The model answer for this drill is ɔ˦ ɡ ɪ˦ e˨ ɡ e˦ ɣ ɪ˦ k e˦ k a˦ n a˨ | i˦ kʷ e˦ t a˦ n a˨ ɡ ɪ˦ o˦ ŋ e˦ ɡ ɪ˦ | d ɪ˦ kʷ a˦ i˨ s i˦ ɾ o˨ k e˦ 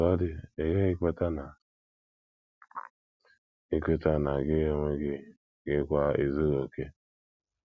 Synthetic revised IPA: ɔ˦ d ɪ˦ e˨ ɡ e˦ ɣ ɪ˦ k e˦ t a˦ n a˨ | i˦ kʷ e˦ t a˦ n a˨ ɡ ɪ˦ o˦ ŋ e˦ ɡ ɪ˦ | ɡ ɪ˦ kʷ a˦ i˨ z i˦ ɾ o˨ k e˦

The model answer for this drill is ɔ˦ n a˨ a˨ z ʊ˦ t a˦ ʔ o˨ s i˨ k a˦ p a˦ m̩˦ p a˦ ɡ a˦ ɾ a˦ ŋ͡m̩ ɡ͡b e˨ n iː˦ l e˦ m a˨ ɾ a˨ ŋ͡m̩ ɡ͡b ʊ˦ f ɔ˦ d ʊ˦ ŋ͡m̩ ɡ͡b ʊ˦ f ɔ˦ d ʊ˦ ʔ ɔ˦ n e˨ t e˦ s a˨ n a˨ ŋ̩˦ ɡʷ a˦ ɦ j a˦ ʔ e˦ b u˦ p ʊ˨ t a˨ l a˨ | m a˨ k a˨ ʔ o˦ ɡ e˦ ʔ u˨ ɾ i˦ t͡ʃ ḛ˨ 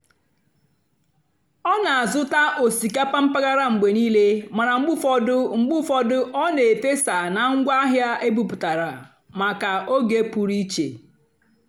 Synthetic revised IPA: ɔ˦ n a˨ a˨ z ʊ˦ t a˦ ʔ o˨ s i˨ k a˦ p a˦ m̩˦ p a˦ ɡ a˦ ɾ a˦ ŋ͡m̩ ɡ͡b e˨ n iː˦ l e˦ m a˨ ɾ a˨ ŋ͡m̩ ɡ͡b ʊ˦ f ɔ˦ d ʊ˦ ŋ͡m̩ ɡ͡b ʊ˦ f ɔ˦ d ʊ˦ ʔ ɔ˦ n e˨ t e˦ s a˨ n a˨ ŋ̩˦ ɡʷ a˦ ɦ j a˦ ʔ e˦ b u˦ p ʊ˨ t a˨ ɾ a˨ | m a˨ k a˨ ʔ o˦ ɡ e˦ p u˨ ɾ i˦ t͡ʃ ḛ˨

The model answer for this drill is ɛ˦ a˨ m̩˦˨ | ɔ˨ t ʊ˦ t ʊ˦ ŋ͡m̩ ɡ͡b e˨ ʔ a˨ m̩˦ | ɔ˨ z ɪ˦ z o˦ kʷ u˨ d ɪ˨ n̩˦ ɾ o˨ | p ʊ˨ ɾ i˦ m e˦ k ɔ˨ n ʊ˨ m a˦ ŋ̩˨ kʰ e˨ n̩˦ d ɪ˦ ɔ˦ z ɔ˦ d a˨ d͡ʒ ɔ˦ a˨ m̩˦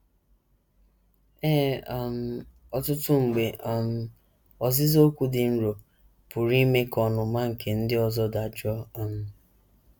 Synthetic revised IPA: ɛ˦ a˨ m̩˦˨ | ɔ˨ t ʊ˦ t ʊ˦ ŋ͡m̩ ɡ͡b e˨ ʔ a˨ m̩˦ | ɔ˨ z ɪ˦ z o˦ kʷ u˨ d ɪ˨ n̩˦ ɾ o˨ | p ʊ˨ ɾ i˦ m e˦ k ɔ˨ n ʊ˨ m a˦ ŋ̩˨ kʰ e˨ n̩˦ d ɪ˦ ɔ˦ z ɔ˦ d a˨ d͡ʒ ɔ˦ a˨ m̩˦

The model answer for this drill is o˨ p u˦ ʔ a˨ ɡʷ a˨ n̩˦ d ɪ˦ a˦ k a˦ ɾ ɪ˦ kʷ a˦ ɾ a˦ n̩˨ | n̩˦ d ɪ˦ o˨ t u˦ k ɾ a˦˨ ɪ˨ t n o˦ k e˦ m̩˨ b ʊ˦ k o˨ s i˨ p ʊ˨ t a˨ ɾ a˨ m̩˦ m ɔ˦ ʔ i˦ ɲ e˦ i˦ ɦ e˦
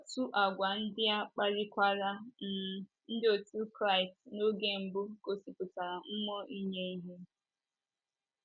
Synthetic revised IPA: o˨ t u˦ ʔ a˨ ɡʷ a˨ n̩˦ d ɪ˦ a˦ k͡p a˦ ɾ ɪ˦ kʷ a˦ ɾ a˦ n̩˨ | n̩˦ d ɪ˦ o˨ t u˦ k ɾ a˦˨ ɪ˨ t n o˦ ɡ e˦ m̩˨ b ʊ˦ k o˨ s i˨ p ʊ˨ t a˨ ɾ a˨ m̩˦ m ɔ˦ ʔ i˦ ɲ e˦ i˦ ɦ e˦

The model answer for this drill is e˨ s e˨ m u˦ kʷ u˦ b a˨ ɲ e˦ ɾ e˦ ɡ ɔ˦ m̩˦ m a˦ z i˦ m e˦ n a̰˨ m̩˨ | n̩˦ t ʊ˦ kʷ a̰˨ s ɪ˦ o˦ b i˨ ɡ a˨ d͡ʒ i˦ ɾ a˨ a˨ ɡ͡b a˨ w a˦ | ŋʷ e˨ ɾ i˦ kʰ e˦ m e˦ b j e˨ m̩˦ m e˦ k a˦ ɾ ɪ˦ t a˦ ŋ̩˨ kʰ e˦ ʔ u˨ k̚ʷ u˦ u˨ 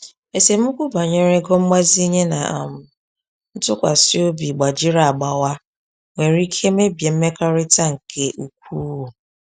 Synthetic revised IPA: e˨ s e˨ m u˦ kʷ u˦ b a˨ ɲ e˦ ɾ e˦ ɡ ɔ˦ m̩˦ m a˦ z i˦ ɲ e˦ n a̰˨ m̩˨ | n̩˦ t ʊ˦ kʷ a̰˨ s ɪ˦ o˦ b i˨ ɡ͡b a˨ d͡ʒ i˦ ɾ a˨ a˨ ɡ͡b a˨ w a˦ | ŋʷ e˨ ɾ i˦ kʰ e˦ m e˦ b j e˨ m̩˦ m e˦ k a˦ ɾ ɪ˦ t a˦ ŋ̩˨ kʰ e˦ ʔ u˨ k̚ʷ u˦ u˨

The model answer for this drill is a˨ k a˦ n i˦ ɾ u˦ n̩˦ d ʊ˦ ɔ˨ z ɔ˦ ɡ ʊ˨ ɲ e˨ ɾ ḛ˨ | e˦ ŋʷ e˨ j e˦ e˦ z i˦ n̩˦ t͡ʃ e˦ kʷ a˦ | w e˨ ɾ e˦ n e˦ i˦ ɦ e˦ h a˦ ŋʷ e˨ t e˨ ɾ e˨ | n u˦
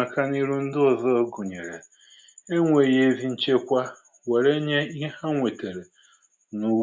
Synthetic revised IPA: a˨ k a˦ n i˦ ɾ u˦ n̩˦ d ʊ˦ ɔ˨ z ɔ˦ ɡ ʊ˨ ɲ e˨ ɾ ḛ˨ | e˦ ŋʷ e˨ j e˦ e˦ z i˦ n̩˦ t͡ʃ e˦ kʷ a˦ | w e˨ ɾ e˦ ɲ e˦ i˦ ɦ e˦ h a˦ ŋʷ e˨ t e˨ ɾ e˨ | n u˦

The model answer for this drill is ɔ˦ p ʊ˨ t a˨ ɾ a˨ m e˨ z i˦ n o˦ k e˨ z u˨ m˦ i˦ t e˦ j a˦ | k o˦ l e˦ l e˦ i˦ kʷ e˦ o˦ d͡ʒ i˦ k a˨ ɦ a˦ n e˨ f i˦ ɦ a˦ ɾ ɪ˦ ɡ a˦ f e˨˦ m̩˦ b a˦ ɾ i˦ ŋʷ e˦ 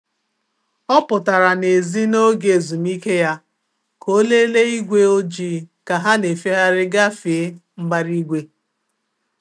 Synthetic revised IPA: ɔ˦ p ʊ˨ t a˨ ɾ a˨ n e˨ z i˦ n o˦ ɡ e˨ z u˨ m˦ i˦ k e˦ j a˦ | k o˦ l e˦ l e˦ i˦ ɡʷ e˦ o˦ d͡ʒ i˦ k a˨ ɦ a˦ n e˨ f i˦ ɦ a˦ ɾ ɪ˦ ɡ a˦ f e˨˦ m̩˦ b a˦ ɾ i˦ ɡʷ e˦

